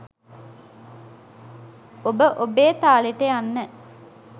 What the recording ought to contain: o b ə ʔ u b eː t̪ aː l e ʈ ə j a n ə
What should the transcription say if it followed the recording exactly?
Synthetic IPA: o b ə ʔ o b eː t̪ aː l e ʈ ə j a nː ə